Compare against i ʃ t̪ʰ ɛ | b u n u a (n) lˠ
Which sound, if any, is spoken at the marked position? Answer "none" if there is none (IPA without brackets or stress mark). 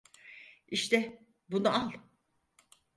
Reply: none